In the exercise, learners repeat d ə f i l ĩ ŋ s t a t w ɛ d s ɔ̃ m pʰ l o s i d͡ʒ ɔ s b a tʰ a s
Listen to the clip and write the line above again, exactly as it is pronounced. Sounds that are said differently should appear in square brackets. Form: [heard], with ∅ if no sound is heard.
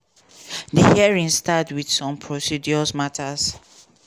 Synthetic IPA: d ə [h] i [ɹ] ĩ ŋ s t a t w [i] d s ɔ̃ m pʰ [ɹ] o s i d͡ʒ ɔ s [m] a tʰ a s

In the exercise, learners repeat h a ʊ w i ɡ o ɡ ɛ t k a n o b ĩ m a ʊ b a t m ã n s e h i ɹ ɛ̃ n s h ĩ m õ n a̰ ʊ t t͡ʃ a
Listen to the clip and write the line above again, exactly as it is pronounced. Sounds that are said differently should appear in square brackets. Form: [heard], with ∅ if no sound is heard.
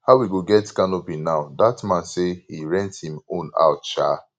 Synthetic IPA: h a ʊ w i ɡ o ɡ ɛ t k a n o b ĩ [n] a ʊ [d] a t m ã n s e h i ɹ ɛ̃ n [t] h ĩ m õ n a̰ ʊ t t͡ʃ a

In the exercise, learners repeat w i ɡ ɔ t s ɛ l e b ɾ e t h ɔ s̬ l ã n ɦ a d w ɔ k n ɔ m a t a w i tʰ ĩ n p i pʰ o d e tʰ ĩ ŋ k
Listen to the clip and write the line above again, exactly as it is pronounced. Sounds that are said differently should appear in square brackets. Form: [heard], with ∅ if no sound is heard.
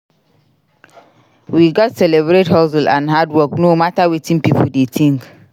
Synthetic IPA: w i ɡ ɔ t s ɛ l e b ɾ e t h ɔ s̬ l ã n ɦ a d w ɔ k n [o] m a t a w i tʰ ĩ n p i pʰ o d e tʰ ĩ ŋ k

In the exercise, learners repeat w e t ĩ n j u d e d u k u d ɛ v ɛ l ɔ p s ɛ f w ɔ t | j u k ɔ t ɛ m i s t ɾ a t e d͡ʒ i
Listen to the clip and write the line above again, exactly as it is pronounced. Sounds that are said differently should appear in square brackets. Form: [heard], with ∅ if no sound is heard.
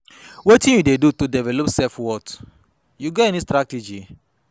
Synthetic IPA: w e t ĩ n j u d e d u [t] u d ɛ v ɛ l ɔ p s ɛ f w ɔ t | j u [ɡ] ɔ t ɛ [n] i s t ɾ a t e d͡ʒ i

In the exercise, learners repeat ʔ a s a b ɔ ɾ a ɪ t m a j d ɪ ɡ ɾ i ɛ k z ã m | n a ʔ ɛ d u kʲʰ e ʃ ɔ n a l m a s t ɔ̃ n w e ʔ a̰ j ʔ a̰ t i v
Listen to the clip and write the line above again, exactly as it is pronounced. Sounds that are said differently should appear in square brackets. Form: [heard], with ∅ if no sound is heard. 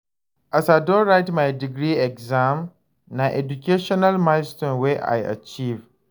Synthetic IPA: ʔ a s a [d] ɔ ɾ a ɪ t m a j d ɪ ɡ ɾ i ɛ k z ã m | n a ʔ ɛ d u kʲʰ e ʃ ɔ n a l m a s t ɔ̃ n w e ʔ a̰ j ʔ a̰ [t͡ʃ] i v

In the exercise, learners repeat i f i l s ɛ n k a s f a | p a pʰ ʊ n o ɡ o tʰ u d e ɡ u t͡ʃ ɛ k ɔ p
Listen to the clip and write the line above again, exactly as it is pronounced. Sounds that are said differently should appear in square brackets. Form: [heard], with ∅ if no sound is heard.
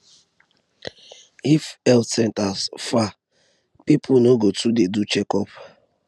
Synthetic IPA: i f [ɛ] l s ɛ n [t] a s f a | p [i] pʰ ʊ n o ɡ o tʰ u d e [d] u t͡ʃ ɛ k ɔ p

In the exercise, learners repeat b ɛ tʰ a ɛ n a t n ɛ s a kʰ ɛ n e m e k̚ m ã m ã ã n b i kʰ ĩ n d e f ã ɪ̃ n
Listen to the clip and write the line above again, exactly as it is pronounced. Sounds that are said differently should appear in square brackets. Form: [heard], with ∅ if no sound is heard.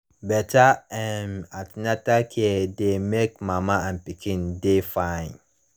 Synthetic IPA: b ɛ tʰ a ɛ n a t n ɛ [t] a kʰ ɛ [d] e m e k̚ m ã m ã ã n [p] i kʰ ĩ n d e f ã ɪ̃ n

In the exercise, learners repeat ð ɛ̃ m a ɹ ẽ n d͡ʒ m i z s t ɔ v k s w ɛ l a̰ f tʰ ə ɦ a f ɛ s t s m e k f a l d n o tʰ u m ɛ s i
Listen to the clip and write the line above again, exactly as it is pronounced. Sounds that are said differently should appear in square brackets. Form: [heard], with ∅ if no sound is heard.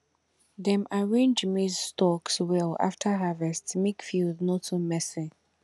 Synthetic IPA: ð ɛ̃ m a ɹ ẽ n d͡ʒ m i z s t ɔ [∅] k s w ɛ l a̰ f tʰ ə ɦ a [v] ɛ s t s m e k f [i] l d n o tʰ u m ɛ s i

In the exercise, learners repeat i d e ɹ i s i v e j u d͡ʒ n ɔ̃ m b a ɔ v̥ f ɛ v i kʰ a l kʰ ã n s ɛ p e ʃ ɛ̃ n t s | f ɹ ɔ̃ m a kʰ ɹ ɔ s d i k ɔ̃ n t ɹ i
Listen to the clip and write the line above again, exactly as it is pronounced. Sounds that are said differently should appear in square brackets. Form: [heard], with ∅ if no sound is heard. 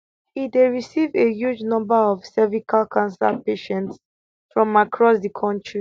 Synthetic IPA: i d e ɹ i s i v e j u d͡ʒ n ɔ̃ m b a ɔ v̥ [s] ɛ v i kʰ a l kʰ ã n s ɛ p e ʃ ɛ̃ n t s | f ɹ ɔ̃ m a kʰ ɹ ɔ s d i [kʰ] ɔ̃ n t ɹ i

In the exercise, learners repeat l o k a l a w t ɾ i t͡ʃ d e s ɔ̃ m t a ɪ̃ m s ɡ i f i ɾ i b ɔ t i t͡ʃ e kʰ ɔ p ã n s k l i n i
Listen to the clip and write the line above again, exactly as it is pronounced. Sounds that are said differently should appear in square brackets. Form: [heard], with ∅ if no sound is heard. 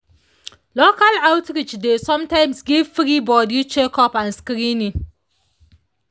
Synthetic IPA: l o k a l a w t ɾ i t͡ʃ d e s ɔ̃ m t a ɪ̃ m s ɡ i f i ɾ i b ɔ [d] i t͡ʃ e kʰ ɔ p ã n s k [ɾ] i n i

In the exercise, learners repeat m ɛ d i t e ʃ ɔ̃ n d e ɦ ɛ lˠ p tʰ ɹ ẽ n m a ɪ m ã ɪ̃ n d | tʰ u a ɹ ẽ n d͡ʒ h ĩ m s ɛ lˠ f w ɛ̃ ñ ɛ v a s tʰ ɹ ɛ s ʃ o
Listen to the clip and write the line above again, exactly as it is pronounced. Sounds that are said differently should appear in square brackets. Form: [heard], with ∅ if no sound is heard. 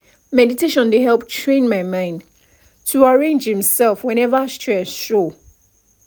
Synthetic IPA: m ɛ d i t e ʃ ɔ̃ n d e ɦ ɛ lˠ p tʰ ɹ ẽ n m a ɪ m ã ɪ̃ n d | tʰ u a ɹ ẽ n d͡ʒ h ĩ m s ɛ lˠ f w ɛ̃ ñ ɛ v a s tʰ ɹ ɛ s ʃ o

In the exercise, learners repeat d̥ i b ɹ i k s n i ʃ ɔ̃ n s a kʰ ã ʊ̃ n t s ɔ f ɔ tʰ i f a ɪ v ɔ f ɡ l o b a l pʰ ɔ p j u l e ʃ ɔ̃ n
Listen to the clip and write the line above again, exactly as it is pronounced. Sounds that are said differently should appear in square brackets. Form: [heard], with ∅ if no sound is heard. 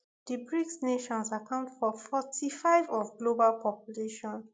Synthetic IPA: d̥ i b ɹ i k s n [e] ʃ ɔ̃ n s a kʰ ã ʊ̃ n t [f] ɔ f ɔ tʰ i f a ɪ v ɔ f ɡ l o b a l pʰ ɔ p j u l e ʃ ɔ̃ n

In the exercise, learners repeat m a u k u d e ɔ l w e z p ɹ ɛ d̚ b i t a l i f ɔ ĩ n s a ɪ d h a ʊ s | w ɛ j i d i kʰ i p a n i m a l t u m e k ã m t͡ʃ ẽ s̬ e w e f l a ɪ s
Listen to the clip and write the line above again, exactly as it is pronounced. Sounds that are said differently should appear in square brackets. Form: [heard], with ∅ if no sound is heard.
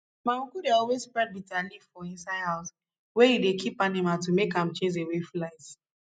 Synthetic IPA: m a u k u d e ɔ l w e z p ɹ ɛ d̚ b i t a l i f ɔ ĩ n s a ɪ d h a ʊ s | w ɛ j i d [e] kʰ i p a n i m a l t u m e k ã m t͡ʃ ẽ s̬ e w e f l a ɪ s

